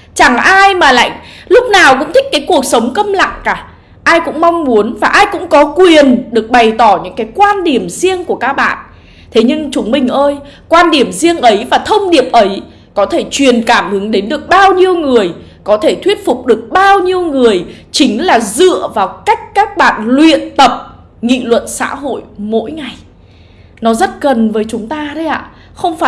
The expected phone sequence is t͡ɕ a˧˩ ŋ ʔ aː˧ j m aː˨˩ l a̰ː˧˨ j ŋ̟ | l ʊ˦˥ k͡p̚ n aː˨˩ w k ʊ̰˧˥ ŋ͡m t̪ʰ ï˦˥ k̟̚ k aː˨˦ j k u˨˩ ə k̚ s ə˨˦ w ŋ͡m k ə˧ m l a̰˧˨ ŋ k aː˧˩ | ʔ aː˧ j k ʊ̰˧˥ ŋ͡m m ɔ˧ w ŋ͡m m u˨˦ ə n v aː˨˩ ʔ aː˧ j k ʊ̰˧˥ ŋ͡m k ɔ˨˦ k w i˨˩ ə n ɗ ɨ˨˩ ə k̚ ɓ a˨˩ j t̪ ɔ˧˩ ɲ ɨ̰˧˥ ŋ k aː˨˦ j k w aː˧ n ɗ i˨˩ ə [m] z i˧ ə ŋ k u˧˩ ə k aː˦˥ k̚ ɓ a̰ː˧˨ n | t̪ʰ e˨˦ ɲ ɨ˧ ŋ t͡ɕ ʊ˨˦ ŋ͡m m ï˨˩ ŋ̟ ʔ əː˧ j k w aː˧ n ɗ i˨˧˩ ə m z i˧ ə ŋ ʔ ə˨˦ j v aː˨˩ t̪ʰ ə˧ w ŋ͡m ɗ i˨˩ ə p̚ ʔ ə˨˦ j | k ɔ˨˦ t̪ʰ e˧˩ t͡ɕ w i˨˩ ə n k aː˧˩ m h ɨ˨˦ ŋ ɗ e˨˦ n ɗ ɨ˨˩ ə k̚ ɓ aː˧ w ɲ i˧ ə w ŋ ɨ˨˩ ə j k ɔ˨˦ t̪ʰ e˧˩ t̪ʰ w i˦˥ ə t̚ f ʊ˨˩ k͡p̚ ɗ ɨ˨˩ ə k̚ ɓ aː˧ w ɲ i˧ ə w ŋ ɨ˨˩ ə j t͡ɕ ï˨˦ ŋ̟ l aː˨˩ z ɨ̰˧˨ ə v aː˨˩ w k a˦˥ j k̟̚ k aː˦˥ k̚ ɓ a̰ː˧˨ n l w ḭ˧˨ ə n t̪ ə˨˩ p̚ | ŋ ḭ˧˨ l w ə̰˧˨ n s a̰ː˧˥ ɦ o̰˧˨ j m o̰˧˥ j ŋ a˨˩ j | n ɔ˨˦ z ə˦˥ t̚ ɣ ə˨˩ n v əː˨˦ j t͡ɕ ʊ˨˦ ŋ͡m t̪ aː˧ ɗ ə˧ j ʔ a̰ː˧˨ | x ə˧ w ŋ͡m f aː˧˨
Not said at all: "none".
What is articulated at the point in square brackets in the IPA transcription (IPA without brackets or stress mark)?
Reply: m